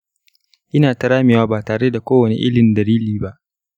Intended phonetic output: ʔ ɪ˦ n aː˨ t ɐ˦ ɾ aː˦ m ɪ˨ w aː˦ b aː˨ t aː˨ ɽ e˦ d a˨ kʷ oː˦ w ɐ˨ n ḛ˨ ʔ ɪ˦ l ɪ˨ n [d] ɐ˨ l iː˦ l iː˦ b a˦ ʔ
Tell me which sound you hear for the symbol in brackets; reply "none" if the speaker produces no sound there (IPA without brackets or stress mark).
d